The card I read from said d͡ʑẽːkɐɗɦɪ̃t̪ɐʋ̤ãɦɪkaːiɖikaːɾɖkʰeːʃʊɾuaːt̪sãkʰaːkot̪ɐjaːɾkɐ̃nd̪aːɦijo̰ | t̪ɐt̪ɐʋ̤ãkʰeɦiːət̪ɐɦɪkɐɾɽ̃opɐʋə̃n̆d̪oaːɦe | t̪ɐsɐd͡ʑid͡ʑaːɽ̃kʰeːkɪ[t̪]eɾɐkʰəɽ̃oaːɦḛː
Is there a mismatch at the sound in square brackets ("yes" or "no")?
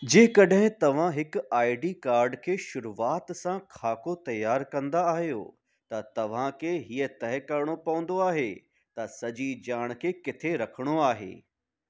yes